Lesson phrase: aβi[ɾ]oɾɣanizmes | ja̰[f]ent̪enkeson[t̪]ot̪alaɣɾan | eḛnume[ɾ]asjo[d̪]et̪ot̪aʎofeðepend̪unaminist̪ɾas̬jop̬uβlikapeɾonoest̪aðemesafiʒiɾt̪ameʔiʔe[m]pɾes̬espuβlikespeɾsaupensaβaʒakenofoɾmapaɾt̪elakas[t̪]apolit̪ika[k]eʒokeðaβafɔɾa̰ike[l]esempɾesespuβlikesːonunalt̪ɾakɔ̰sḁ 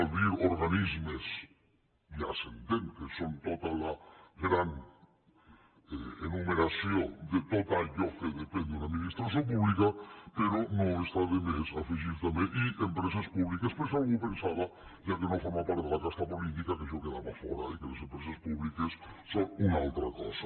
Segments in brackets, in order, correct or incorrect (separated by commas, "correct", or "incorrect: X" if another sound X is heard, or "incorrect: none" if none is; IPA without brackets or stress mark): correct, incorrect: s, correct, correct, correct, correct, correct, correct, correct